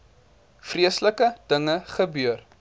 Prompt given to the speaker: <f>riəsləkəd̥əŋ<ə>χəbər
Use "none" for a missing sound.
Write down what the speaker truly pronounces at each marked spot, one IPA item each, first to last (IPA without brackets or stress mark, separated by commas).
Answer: f, ə